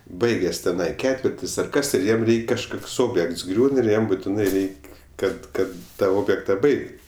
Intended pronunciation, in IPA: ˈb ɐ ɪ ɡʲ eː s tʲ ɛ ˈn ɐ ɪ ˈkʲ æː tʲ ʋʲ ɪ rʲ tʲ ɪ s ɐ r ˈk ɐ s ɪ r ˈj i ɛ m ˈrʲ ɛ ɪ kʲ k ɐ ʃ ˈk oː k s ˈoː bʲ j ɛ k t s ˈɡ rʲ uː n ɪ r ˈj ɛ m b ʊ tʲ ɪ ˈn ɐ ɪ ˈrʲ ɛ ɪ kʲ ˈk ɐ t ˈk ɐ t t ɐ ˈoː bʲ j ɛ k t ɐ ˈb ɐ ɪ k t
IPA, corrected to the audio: ˈb ɐ ɪ ɡʲ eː s tʲ ɛ ˈn ɐ ɪ ˈkʲ æː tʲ ʋʲ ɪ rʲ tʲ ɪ s ɐ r ˈk ɐ s ɪ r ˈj i ɛ m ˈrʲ ɛ ɪ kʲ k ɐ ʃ ˈk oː k s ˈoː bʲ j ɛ k t s ˈɡ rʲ uː n ɪ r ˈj ɛ m b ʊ tʲ ɪ ˈn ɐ ɪ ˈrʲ ɛ ɪ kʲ ˈk ɐ t ˈk ɐ t t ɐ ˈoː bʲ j ɛ k t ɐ ˈb ɐ ɪ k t